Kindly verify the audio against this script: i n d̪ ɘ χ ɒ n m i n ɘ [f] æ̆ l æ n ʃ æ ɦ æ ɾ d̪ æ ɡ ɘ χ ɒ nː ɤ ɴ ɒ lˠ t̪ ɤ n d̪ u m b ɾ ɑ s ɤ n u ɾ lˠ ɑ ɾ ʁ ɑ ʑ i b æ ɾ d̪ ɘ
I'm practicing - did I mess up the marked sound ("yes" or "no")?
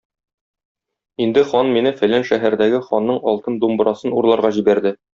no